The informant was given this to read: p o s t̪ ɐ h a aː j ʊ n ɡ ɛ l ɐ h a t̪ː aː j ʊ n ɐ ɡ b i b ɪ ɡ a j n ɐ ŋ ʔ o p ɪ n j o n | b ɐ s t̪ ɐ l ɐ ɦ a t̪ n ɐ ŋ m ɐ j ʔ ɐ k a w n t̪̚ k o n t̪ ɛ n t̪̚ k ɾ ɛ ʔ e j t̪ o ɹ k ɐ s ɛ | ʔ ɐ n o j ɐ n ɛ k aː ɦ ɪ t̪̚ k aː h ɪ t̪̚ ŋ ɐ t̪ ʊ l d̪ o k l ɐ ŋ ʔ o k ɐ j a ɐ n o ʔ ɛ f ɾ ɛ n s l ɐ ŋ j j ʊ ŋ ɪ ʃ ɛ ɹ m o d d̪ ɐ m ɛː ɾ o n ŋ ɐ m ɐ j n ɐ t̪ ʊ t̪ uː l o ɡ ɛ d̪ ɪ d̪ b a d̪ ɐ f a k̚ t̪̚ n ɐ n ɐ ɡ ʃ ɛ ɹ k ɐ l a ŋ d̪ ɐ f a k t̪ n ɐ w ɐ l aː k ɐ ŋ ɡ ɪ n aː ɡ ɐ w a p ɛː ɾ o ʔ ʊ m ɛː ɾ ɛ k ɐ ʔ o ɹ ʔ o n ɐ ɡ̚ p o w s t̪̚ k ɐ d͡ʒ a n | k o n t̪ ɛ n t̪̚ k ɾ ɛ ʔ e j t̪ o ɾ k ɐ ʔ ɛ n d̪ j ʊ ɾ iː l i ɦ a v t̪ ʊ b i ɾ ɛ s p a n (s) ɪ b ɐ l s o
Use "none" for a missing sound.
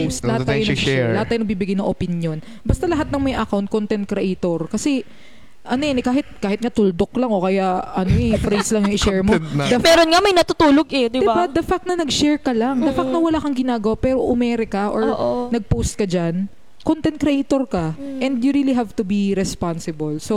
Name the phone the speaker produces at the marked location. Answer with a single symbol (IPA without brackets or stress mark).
s